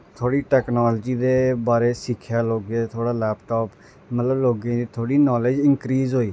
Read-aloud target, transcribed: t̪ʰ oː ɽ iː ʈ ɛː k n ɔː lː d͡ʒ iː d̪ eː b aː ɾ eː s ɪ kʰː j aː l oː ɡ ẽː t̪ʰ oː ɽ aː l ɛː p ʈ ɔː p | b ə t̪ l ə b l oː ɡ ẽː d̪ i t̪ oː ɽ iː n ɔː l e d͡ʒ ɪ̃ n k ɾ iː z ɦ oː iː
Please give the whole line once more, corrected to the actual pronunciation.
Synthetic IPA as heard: t̪ʰ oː ɽ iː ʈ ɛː k n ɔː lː d͡ʒ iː d̪ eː b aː ɾ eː s ɪ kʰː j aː l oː ɡ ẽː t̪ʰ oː ɽ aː l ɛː p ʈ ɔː p | m ə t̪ l ə b l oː ɡ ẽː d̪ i t̪ʰ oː ɽ iː n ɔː l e d͡ʒ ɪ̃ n k ɾ iː z ɦ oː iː